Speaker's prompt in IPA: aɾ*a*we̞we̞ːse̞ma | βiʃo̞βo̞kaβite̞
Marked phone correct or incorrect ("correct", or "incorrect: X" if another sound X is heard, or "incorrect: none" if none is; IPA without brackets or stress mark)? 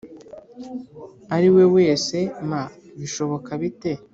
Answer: incorrect: i